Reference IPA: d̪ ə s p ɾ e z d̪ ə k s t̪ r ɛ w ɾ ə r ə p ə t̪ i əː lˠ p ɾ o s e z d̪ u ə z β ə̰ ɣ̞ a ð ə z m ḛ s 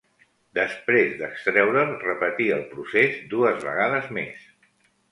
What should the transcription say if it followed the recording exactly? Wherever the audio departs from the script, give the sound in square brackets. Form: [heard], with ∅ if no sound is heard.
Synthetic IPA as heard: d̪ ə s p ɾ e z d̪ ə k s t̪ [ɾ] ɛ w ɾ ə r ə p ə t̪ i [ə] lˠ p ɾ [u] s e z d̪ u ə z β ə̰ ɣ̞ a ð ə z m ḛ s